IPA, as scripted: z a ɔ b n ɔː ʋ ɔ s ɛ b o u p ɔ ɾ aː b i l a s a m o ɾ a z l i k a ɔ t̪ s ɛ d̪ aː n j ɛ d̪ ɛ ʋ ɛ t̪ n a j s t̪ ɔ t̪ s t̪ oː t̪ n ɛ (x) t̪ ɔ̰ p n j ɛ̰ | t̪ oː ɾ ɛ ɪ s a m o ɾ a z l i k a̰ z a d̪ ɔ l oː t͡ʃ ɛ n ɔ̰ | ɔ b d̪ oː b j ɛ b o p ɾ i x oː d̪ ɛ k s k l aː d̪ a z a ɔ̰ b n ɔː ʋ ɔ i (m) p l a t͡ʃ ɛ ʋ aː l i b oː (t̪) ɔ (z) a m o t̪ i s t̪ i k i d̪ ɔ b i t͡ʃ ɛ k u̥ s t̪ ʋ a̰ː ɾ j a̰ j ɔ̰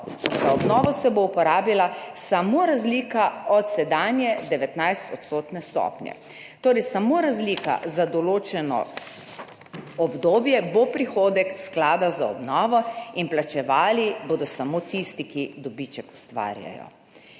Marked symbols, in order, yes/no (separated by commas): no, no, no, no